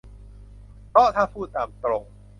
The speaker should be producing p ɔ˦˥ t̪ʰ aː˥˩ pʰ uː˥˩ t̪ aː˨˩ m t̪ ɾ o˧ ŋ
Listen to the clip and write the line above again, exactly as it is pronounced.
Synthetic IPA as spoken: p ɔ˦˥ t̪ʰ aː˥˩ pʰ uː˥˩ t̪ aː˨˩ m t̪ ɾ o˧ ŋ